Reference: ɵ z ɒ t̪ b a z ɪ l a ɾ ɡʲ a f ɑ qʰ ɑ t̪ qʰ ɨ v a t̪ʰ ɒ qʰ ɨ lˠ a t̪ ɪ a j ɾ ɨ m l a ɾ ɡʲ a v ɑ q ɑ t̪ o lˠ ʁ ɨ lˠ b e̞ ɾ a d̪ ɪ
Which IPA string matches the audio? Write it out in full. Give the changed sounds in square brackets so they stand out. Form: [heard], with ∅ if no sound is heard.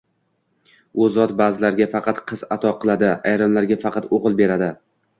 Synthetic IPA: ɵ z ɒ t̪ b a z ɪ l a ɾ ɡʲ a f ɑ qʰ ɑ t̪ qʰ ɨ [z] a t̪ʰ ɒ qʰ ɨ lˠ a [d̪] ɪ a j ɾ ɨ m l a ɾ ɡʲ a [f] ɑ q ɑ t̪ o [∅] ʁ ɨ lˠ b e̞ ɾ a d̪ ɪ